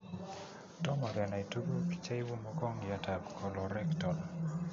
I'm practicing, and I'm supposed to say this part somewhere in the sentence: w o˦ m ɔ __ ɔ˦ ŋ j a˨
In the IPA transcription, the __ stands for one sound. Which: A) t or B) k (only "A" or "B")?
B